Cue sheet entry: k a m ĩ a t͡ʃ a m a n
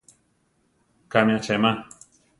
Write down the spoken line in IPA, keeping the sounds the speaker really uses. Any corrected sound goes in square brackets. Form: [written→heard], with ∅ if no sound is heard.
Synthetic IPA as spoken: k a m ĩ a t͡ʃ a m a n